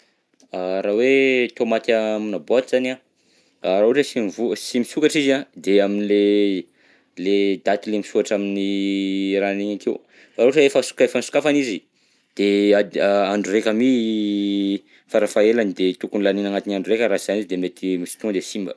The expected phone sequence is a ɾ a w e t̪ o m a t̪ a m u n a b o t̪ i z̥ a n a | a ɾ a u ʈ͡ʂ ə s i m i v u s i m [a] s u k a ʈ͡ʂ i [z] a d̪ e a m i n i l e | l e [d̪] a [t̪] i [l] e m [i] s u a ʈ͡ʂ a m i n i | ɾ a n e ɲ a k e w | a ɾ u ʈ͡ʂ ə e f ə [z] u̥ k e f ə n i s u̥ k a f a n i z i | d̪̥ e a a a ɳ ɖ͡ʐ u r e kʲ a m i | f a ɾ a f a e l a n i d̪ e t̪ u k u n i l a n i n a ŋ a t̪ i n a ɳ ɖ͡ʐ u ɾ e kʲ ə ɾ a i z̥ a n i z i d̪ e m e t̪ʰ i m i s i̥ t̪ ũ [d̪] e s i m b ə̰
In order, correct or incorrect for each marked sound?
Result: incorrect, correct, correct, correct, correct, correct, incorrect, correct

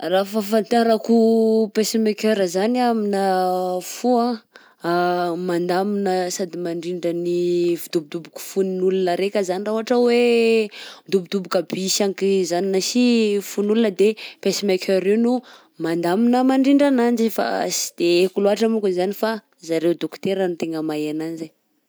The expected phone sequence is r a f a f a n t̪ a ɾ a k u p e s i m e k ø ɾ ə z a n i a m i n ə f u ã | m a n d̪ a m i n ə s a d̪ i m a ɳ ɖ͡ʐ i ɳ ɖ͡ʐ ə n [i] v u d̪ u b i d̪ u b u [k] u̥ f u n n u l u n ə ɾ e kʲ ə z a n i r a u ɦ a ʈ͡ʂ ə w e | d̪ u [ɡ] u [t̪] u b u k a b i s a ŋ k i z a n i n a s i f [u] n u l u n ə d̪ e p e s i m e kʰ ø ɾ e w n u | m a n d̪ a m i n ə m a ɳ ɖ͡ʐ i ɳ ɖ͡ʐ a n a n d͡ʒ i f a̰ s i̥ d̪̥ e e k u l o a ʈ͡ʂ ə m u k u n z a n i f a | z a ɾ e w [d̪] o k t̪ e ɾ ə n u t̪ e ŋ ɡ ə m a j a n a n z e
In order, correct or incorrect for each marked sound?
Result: correct, correct, incorrect, incorrect, correct, correct

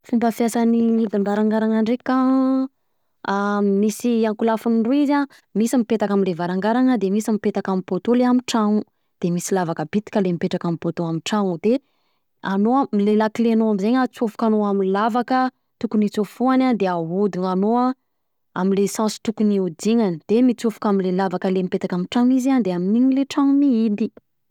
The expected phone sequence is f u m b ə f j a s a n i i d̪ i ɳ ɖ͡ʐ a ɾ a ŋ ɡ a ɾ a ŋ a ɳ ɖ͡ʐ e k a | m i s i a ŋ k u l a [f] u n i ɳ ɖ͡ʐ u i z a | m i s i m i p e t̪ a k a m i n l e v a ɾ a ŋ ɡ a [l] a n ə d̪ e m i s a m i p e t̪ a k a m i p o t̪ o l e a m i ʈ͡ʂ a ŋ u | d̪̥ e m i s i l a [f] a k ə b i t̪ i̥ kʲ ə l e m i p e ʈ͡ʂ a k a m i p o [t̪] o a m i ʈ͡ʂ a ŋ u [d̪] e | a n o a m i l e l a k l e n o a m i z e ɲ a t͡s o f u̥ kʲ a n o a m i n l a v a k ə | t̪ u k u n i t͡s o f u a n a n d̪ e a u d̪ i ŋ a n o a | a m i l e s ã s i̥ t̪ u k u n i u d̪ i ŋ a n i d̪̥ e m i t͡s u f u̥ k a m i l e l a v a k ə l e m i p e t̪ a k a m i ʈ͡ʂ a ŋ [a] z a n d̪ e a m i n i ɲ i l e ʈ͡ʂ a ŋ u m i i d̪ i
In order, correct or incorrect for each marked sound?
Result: correct, incorrect, incorrect, correct, correct, incorrect

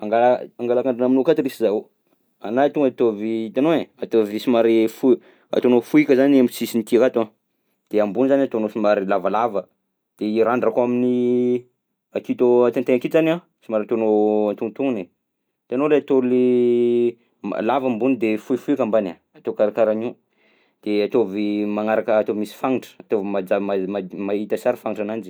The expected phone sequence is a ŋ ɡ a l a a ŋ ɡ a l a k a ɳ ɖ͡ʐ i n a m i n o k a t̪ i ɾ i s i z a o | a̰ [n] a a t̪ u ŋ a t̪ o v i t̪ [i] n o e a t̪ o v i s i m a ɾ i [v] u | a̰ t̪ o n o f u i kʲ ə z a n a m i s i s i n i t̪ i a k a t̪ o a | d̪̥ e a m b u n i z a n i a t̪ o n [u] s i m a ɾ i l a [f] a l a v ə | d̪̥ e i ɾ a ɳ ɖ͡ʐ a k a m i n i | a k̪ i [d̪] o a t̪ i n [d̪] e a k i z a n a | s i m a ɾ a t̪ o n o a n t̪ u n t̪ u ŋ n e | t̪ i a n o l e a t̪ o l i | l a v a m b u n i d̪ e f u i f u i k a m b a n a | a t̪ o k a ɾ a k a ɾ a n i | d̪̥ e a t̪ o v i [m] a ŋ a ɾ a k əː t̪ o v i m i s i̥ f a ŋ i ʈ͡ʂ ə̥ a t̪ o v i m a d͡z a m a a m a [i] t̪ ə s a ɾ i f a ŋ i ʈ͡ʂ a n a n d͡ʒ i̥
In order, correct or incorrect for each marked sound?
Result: correct, incorrect, incorrect, incorrect, incorrect, incorrect, incorrect, correct, correct

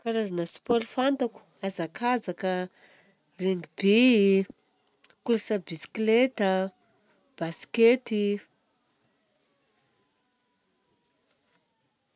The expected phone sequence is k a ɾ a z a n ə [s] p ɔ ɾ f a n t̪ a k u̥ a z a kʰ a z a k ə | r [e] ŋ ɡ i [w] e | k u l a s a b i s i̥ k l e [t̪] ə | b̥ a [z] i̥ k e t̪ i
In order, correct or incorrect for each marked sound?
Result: correct, correct, incorrect, correct, incorrect

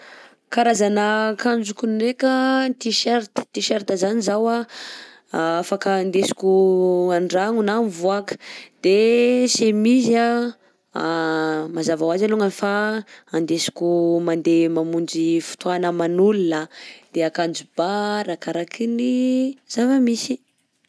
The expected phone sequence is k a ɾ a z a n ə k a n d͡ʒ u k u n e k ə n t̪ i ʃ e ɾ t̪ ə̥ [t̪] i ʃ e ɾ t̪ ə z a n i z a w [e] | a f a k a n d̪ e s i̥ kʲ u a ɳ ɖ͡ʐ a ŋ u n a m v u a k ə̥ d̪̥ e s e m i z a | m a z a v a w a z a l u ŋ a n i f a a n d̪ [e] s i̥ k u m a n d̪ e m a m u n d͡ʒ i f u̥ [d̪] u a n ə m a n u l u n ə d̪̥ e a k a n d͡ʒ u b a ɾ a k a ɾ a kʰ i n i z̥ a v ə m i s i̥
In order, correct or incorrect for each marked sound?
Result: correct, incorrect, correct, incorrect

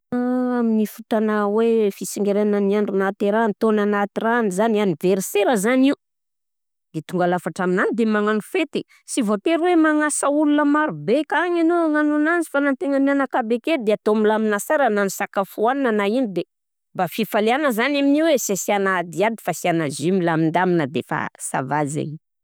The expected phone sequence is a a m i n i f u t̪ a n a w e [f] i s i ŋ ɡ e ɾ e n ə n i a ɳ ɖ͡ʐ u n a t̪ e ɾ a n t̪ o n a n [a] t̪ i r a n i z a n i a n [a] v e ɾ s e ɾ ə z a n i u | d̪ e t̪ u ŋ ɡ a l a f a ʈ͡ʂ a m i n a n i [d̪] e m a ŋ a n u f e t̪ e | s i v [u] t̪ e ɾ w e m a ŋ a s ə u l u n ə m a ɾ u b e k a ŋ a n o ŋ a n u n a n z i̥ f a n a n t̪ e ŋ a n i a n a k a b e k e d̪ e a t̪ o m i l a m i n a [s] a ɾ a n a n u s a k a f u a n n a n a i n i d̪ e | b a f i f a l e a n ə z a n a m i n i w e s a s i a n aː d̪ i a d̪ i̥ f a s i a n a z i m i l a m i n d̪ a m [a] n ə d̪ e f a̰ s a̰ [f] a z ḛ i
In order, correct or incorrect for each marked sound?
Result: correct, correct, incorrect, correct, incorrect, correct, incorrect, incorrect

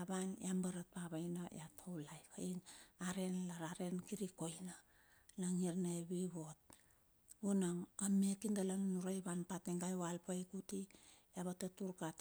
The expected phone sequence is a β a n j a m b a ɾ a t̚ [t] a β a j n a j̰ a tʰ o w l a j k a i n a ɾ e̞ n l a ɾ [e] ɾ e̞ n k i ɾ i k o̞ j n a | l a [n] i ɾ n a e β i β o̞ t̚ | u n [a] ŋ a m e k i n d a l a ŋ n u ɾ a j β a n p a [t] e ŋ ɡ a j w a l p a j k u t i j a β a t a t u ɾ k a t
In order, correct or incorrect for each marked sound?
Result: incorrect, incorrect, incorrect, correct, correct

